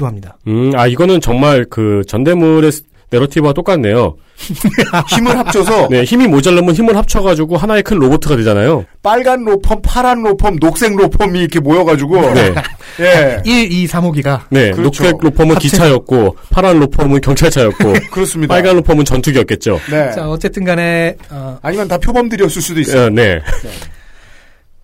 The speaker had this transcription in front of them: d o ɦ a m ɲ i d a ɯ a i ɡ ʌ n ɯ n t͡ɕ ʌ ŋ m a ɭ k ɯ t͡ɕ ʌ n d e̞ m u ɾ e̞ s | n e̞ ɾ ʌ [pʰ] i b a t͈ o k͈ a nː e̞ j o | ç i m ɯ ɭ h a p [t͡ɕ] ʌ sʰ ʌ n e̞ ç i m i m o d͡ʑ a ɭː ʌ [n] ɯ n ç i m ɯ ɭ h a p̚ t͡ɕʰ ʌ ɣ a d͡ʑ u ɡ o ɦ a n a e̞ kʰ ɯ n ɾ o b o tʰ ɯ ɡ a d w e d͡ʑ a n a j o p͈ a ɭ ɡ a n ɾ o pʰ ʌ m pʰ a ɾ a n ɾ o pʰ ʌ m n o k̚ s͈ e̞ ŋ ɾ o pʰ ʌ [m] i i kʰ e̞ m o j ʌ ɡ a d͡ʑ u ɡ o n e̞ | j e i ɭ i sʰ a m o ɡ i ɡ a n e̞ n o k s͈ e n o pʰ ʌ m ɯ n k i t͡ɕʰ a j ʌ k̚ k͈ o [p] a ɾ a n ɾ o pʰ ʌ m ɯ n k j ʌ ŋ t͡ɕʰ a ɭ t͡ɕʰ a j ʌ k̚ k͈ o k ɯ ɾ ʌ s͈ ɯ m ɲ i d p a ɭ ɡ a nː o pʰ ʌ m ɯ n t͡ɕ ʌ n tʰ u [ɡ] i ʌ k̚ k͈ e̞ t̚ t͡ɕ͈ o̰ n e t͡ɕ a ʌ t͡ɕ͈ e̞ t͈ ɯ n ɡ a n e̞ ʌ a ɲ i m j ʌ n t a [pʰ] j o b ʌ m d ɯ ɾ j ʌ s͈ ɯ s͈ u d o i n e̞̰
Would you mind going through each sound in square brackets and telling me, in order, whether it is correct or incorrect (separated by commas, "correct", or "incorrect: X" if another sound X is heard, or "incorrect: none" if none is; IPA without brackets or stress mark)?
incorrect: tʰ, incorrect: t͡ɕʰ, incorrect: m, correct, incorrect: pʰ, correct, correct